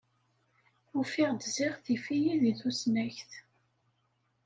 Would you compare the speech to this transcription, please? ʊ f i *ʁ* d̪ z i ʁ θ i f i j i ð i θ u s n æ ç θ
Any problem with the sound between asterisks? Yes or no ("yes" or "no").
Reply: no